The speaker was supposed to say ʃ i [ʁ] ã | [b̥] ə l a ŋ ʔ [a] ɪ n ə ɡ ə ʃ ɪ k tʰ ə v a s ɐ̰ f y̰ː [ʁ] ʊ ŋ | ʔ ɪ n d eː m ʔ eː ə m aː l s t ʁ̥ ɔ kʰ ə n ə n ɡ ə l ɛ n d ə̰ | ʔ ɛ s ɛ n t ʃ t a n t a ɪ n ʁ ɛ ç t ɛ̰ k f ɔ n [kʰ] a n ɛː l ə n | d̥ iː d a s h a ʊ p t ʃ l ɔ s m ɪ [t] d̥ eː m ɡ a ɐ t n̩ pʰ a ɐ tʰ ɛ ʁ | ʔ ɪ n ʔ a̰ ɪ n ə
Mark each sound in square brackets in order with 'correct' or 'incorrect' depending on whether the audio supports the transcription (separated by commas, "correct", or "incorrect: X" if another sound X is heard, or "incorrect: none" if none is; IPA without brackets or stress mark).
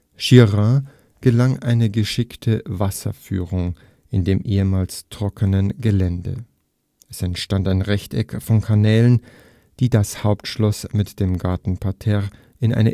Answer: correct, incorrect: ɡ̥, correct, correct, correct, correct